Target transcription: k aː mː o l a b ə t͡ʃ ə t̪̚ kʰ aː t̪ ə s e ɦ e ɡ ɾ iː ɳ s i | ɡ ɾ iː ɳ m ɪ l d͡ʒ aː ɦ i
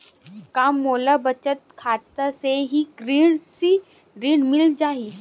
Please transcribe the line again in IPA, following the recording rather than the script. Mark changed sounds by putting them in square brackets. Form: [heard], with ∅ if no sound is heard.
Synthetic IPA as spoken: k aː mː o l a b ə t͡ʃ ə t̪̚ kʰ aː t̪ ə s e ɦ [i] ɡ ɾ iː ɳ s i | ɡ ɾ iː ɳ m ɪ l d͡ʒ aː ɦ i